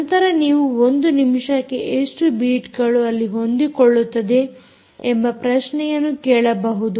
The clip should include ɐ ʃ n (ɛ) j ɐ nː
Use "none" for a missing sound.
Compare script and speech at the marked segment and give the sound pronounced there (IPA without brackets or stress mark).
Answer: ɛ